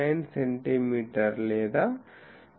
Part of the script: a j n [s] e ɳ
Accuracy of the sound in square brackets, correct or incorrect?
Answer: correct